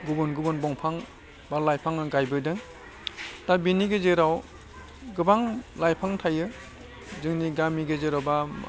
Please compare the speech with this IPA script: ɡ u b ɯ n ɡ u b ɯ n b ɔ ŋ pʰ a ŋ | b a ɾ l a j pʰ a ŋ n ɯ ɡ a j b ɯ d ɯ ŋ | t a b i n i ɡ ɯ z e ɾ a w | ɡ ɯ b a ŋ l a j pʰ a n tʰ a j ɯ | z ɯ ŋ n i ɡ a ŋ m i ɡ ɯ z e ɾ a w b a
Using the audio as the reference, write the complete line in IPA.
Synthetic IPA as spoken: ɡ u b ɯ n ɡ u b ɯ n b ɔ ŋ pʰ a ŋ | b a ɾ l a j pʰ a ŋ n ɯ ɡ a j b ɯ d ɯ ŋ | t a b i n i ɡ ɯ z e ɾ a w | ɡ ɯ b a ŋ l a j pʰ a ŋ tʰ a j ɯ | z ɯ ŋ n i ɡ a m i ɡ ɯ z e ɾ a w b a